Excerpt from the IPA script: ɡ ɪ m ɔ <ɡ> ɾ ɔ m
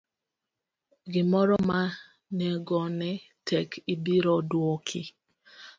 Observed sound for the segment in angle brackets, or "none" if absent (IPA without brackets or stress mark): none